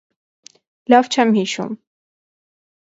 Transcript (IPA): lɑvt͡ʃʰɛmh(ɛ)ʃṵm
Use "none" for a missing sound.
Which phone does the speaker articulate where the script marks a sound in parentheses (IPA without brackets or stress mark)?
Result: i